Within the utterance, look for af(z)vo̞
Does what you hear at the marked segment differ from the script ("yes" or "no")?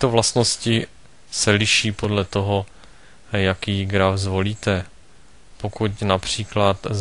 no